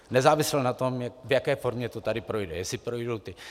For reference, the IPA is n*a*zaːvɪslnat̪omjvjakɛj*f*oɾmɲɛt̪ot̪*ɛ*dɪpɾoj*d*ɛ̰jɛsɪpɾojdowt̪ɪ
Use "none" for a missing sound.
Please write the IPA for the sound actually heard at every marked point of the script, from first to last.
ɛ, f, a, d

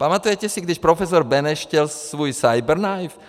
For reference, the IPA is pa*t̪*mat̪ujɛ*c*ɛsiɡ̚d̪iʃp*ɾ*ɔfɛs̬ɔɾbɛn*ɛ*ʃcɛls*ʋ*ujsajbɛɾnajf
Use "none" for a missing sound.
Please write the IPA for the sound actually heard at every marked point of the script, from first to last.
none, c, ɾ, ɛ, ʋ

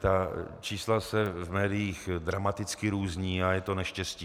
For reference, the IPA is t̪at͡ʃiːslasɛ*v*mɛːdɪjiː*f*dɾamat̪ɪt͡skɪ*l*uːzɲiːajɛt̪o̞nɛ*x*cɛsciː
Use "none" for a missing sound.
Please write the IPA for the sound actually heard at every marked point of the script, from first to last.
v, x, ɾ, ʃ

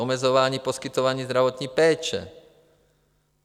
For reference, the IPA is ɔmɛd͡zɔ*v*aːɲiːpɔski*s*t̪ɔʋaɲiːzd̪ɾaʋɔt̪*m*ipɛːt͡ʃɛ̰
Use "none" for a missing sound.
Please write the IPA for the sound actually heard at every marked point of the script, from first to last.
ʋ, none, ɲ

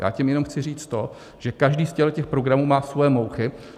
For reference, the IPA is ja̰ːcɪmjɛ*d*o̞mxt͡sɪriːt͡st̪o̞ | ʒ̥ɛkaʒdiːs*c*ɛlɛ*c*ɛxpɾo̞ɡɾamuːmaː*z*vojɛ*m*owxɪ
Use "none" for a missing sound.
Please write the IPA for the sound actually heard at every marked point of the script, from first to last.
n, c, c, s, m

